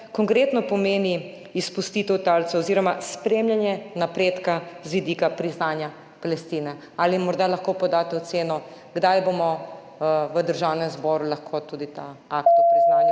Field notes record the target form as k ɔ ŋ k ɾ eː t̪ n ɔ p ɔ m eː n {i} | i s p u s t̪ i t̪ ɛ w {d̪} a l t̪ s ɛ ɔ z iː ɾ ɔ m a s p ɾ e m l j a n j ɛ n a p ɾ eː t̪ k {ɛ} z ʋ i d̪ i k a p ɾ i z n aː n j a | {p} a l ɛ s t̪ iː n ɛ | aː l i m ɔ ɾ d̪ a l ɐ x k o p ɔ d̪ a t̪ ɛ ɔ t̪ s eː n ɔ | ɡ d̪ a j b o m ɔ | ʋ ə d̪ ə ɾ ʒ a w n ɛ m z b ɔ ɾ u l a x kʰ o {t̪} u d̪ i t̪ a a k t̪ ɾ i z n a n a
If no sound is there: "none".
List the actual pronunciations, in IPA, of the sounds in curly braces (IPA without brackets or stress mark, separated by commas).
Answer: i, t̪, a, p, t̪